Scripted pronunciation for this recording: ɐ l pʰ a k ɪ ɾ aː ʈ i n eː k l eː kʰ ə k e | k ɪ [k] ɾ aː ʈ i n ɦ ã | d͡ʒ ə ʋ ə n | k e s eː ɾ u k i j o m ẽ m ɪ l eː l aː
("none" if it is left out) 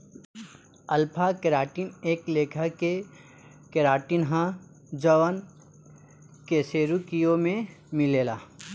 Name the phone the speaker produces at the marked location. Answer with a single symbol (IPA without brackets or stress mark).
none